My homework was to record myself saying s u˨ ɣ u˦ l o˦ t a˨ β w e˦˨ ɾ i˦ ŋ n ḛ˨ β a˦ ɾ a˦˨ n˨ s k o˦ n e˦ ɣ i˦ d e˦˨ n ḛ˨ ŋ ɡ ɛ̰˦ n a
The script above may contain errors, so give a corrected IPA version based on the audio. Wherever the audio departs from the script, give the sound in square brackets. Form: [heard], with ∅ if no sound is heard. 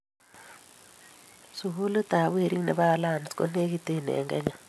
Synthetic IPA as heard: s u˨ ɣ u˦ l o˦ t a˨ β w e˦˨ ɾ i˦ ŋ n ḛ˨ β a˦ [l] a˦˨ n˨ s k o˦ n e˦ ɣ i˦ [t] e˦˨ n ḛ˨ ŋ ɡ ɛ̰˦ [ɲ] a